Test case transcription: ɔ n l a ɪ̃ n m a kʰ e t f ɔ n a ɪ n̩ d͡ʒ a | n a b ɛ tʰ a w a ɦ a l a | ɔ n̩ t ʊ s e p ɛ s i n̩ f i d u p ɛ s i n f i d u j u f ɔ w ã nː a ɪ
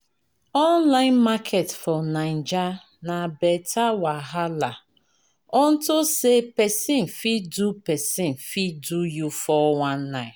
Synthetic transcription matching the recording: ɔ n l a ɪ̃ n m a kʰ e t f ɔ n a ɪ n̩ d͡ʒ a | n a b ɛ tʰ a w a ɦ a l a | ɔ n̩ t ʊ s e p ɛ s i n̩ f i d u p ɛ s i n f i d u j u f ɔ w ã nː a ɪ